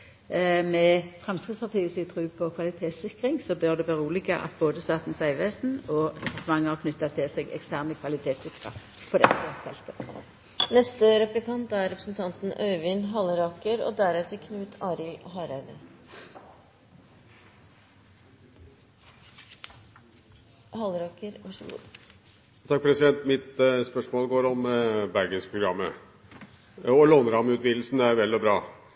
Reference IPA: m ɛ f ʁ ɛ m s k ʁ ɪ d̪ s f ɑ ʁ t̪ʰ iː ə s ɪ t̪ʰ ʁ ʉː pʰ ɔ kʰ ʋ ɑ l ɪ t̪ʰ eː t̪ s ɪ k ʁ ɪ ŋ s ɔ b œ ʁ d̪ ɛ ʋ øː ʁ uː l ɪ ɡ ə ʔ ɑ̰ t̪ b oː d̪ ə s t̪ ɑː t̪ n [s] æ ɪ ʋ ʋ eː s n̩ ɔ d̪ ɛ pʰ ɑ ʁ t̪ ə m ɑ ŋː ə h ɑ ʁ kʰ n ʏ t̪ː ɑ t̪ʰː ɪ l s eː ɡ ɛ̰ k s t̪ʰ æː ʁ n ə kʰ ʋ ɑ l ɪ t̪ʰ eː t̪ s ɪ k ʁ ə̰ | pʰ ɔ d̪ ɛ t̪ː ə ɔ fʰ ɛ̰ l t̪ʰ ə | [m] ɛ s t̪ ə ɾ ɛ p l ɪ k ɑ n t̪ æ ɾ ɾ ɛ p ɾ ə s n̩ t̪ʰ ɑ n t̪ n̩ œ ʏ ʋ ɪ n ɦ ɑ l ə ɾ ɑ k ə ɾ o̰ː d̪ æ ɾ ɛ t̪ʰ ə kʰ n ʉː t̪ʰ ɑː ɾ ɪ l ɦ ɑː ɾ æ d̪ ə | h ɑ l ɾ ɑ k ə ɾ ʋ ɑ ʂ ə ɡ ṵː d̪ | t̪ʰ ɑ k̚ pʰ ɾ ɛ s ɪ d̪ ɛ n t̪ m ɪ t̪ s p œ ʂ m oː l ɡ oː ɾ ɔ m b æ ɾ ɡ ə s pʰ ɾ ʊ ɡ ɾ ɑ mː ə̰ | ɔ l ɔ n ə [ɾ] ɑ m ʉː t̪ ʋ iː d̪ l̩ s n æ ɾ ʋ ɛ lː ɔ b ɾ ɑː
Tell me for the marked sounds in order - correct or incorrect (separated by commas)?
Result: correct, incorrect, correct